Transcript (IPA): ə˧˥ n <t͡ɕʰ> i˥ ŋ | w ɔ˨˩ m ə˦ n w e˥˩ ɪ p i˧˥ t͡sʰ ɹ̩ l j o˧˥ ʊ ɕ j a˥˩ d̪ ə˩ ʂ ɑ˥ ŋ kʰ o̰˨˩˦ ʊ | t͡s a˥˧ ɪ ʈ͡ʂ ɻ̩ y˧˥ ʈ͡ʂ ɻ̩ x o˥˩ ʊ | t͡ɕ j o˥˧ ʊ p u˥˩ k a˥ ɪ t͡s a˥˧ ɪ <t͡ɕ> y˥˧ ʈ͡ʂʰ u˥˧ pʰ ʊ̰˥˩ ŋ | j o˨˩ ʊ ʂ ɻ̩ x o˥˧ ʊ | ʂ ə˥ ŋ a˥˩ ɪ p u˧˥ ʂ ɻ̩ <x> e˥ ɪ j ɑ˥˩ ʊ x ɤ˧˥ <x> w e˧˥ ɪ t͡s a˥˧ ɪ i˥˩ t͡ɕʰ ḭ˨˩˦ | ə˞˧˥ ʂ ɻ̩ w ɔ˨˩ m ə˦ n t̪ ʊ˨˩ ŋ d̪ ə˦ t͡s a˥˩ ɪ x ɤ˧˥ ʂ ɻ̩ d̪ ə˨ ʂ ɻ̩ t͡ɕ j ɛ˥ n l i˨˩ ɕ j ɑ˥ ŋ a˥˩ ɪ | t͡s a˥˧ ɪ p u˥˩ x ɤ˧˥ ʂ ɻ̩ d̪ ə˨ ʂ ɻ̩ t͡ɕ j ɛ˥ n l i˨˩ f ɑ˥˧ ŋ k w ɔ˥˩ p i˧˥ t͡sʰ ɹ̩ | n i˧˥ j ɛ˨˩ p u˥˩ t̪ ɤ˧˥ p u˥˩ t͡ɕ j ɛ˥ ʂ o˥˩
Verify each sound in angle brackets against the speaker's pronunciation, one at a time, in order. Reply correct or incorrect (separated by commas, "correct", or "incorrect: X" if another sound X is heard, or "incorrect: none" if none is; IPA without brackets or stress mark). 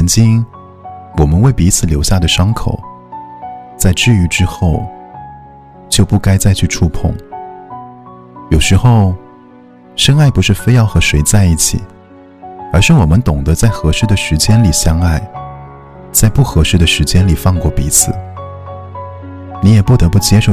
incorrect: t͡ɕ, incorrect: t͡ɕʰ, incorrect: f, incorrect: ʂ